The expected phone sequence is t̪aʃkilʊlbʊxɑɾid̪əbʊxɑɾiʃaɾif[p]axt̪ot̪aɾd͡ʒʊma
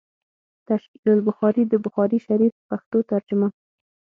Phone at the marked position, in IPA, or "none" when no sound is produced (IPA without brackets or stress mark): p